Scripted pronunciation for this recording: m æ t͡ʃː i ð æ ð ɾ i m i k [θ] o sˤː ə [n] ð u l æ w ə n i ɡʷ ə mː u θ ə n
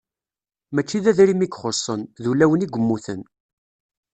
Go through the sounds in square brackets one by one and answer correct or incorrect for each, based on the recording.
incorrect, correct

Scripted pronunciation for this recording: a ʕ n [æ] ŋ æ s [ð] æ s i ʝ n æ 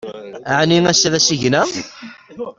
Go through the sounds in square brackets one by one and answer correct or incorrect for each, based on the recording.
incorrect, correct

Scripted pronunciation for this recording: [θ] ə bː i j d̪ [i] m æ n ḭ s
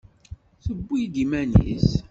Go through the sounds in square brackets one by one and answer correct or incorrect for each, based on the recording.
correct, correct

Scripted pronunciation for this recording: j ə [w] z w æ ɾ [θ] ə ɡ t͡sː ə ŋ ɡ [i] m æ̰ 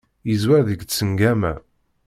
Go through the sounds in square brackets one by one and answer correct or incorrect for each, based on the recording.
incorrect, incorrect, incorrect

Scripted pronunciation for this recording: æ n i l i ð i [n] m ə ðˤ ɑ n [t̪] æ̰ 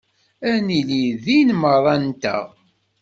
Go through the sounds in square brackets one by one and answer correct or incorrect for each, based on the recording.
correct, correct

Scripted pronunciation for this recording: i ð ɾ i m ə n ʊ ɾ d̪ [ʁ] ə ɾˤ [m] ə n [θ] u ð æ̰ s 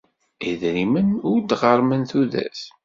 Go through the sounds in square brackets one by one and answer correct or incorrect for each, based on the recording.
correct, correct, correct

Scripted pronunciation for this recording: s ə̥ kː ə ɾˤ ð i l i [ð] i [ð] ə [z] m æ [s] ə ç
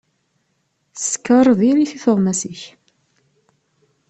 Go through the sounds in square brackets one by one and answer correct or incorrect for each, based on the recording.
incorrect, incorrect, incorrect, correct

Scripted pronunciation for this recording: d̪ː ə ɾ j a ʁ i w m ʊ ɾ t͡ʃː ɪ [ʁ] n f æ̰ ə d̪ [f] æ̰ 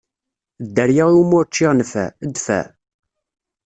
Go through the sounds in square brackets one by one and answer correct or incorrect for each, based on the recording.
correct, correct

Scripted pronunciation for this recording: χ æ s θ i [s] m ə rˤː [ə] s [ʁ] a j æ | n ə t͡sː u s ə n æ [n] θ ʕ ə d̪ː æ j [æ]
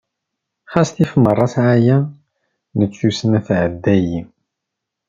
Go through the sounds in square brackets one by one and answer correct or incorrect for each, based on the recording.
incorrect, incorrect, incorrect, incorrect, incorrect

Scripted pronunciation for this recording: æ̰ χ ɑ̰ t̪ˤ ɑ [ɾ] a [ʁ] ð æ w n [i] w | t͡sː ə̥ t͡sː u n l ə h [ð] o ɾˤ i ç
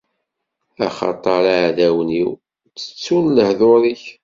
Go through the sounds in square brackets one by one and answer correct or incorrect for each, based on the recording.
correct, incorrect, correct, correct

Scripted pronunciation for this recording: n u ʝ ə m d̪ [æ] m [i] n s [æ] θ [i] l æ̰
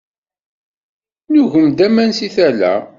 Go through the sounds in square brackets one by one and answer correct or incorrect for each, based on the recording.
correct, incorrect, incorrect, incorrect

